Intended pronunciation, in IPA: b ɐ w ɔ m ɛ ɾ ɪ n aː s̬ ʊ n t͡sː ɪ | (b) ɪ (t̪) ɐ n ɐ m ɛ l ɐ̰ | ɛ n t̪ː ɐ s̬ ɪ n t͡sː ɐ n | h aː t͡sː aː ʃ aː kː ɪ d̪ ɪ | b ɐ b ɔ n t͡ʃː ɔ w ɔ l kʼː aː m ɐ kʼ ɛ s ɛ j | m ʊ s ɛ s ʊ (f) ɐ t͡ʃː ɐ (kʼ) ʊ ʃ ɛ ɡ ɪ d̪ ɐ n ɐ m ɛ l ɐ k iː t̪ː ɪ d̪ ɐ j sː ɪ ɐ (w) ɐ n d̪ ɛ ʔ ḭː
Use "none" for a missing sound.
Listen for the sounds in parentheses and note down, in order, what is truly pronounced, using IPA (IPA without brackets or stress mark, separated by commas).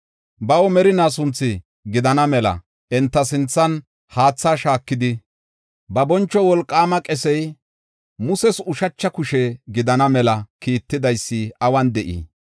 ɡ, d̪, ʃ, k, w